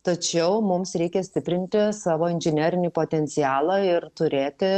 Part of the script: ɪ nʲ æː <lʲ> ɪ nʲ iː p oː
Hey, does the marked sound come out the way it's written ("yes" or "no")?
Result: no